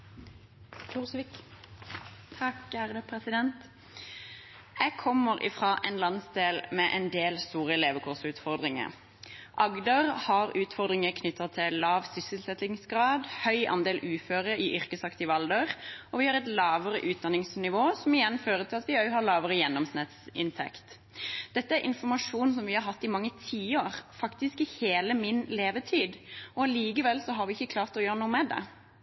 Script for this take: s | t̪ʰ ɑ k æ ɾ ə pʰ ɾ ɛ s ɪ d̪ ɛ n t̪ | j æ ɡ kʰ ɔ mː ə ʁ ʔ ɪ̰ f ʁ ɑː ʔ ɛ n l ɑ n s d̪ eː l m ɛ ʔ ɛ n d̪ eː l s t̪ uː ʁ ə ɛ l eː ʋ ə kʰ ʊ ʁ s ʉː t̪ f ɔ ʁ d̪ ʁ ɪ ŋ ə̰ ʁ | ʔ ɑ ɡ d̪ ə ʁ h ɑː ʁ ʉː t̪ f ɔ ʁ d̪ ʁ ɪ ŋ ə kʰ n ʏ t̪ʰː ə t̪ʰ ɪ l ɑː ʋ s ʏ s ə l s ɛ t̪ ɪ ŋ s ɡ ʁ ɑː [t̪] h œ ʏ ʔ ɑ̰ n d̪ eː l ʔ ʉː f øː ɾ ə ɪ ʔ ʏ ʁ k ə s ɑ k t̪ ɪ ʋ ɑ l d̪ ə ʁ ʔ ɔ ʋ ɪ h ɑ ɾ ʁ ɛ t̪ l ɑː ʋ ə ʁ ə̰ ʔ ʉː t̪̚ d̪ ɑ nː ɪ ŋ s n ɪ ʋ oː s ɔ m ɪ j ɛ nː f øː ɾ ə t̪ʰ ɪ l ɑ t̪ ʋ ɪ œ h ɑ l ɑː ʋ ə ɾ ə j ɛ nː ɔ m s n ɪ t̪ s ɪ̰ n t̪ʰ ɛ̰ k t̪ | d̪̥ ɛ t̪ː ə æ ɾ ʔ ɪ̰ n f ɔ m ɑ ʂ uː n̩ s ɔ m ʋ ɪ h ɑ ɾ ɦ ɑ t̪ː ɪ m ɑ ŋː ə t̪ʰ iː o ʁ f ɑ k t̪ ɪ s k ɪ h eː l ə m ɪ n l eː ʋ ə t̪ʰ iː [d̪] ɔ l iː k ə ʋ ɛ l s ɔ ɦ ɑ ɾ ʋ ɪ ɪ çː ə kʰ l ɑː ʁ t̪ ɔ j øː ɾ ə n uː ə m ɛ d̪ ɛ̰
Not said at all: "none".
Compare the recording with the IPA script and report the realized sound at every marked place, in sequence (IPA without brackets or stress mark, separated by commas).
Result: d̪, d̪